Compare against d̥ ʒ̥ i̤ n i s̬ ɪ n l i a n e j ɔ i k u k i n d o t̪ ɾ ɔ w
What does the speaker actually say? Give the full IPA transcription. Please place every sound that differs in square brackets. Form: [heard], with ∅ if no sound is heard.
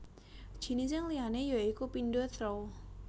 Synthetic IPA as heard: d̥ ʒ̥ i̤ n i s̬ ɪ [ŋ] l i a n e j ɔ i k u [p] i n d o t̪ ɾ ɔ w